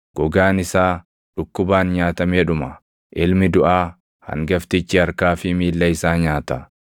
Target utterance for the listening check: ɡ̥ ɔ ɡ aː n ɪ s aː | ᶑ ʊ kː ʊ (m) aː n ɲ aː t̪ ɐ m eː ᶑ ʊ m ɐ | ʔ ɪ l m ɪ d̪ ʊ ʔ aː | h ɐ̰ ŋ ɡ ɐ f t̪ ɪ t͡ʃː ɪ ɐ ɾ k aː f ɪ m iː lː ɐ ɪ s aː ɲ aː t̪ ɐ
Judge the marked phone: incorrect: b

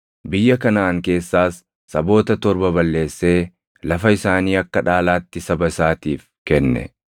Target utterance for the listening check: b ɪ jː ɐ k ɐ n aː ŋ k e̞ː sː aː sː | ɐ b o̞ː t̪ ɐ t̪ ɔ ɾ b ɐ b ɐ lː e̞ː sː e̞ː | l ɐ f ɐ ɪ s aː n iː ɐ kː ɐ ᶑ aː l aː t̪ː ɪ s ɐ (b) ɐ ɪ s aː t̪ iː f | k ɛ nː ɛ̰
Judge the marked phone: correct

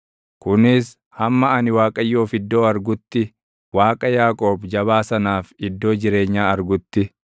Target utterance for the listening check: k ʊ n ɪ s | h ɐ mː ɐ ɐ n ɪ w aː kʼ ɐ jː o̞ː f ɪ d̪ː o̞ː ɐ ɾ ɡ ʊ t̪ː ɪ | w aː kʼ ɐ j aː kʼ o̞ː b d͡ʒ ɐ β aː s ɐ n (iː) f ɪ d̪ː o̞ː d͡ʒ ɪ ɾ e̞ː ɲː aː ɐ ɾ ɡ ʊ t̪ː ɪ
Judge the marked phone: incorrect: aː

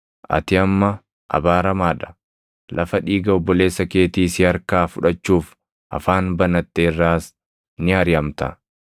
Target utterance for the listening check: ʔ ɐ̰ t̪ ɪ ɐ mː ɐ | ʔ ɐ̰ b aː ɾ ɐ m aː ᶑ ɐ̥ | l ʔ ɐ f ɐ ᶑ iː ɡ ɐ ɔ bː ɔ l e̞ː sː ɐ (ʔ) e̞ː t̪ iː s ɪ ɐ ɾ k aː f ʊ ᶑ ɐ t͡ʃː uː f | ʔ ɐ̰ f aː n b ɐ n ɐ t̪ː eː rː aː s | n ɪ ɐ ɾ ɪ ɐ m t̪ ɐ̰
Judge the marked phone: incorrect: k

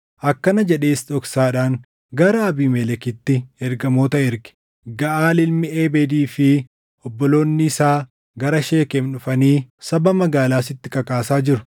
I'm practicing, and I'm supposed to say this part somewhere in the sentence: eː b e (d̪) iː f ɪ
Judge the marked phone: correct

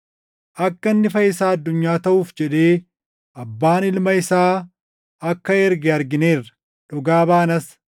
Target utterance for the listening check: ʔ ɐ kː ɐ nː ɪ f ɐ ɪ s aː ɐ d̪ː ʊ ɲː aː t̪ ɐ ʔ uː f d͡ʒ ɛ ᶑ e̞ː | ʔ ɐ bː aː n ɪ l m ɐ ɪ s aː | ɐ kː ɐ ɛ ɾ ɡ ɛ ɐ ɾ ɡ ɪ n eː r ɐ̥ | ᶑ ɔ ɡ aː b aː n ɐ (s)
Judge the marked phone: correct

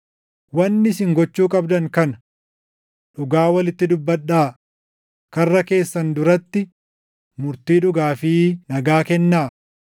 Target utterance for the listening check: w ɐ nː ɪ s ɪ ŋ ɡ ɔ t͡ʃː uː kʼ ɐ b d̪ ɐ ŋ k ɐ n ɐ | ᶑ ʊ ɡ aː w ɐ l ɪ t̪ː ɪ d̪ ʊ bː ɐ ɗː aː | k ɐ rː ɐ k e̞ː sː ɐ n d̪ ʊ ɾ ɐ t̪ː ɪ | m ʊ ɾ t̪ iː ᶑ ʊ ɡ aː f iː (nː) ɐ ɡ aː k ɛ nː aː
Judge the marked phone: incorrect: n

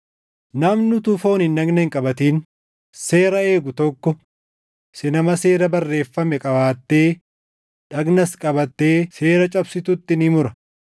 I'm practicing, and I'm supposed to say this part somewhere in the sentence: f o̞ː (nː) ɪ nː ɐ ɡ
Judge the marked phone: incorrect: n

